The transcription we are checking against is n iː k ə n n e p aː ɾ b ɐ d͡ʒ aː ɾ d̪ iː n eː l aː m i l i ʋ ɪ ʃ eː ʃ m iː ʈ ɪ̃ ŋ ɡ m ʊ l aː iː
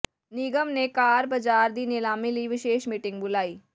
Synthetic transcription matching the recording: n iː ɡ ə m n e k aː ɾ b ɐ d͡ʒ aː ɾ d̪ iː n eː l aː m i l i ʋ ɪ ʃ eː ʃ m iː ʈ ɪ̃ ŋ ɡ b ʊ l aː iː

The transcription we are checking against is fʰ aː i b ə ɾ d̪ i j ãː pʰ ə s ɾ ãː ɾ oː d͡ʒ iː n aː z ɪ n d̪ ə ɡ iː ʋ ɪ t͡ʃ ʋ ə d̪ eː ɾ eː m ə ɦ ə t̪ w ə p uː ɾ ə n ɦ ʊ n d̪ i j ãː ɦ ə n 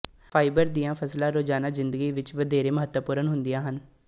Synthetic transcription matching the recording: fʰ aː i b ə ɾ d̪ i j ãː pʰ ə s l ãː ɾ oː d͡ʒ aː n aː z ɪ n d̪ ə ɡ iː ʋ ɪ t͡ʃ ʋ ə d̪ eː ɾ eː m ə ɦ ə t̪ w ə p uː ɾ ə n ɦ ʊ n d̪ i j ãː ɦ ə n

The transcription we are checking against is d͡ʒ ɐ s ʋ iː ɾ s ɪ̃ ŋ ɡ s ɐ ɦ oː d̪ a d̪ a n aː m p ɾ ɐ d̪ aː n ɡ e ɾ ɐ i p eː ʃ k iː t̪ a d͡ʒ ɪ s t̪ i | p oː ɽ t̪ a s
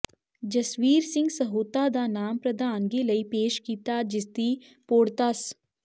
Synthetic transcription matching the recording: d͡ʒ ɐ s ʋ iː ɾ s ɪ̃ ŋ ɡ s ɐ ɦ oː t̪ a d̪ a n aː m p ɾ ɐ d̪ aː n ɡ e l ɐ i p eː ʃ k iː t̪ a d͡ʒ ɪ s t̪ i | p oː ɽ t̪ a s

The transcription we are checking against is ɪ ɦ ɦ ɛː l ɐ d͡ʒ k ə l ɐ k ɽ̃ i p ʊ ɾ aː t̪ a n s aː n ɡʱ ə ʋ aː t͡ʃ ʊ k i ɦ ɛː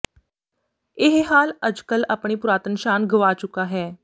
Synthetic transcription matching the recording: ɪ ɦ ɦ aː l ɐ d͡ʒ k ə l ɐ p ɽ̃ i p ʊ ɾ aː t̪ ə n ʃ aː n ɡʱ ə ʋ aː t͡ʃ ʊ k a ɦ ɛː

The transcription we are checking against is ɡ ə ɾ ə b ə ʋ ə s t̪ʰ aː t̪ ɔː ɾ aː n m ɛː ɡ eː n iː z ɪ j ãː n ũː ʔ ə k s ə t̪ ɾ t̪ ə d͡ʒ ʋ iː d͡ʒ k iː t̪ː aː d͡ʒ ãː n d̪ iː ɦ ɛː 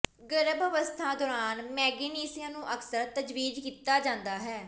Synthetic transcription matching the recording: ɡ ə ɾ ə b ə ʋ ə s t̪ʰ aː d̪ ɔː ɾ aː n m ɛː ɡ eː n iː s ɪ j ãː n ũː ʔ ə k s ə ɾ t̪ ə d͡ʒ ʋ iː d͡ʒ k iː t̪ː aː d͡ʒ ãː n d̪ aː ɦ ɛː

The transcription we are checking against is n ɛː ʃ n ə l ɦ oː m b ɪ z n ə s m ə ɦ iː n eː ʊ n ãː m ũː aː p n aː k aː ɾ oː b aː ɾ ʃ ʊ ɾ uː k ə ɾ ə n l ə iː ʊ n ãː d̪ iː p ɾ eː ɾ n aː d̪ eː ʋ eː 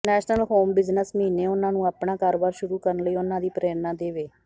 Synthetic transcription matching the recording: n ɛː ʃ n ə l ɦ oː m b ɪ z n ə s m ə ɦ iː n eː ʊ n ãː n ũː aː p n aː k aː ɾ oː b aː ɾ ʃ ʊ ɾ uː k ə ɾ ə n l ə iː ʊ n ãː d̪ iː p ɾ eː ɾ n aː d̪ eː ʋ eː

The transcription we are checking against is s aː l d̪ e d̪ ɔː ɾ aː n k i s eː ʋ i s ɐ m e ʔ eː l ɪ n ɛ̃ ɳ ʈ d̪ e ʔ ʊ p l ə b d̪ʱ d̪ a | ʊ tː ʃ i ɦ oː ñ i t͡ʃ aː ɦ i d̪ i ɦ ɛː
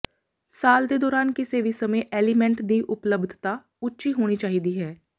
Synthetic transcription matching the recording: s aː l d̪ e d̪ ɔː ɾ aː n k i s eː ʋ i s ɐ m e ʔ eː l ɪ m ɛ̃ ɳ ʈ d̪ i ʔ ʊ p l ə b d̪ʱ t̪ a | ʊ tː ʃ i ɦ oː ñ i t͡ʃ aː ɦ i d̪ i ɦ ɛː

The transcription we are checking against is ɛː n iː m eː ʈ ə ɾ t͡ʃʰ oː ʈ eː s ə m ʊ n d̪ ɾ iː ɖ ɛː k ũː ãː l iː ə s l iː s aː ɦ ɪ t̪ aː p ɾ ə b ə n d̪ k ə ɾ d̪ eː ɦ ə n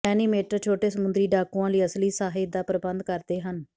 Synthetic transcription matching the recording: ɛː n iː m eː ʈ ə ɾ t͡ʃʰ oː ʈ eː s ə m ʊ n d̪ ɾ iː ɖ aː k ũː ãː l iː ə s l iː s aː ɦ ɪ d̪ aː p ɾ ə b ə n d̪ k ə ɾ d̪ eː ɦ ə n

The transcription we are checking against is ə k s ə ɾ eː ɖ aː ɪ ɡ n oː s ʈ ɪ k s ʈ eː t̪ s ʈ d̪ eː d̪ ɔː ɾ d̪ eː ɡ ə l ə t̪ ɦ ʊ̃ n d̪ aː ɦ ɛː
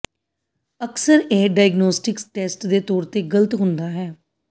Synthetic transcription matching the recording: ə k s ə ɾ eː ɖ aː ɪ ɡ n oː s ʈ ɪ k s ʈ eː s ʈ d̪ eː t̪ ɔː ɾ t̪ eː ɡ ə l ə t̪ ɦ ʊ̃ n d̪ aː ɦ ɛː

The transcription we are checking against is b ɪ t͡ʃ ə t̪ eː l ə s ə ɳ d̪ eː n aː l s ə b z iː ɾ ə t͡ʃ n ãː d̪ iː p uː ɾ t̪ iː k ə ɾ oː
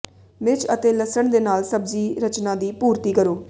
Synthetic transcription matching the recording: m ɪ t͡ʃ ə t̪ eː l ə s ə ɳ d̪ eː n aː l s ə b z iː ɾ ə t͡ʃ n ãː d̪ iː p uː ɾ t̪ iː k ə ɾ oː

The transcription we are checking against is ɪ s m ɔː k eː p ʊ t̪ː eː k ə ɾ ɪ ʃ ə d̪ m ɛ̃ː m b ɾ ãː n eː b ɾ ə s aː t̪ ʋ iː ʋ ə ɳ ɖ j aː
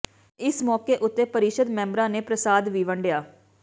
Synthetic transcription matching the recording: ɪ s m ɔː k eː ʔ ʊ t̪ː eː p ə ɾ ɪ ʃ ə d̪ m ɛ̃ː m b ɾ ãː n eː p ɾ ə s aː d̪ ʋ iː ʋ ə ɳ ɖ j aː

